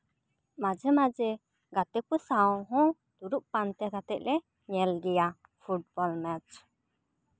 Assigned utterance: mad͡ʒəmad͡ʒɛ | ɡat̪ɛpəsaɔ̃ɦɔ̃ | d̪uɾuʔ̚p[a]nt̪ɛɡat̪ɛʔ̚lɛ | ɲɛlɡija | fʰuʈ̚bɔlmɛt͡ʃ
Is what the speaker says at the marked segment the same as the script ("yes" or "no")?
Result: yes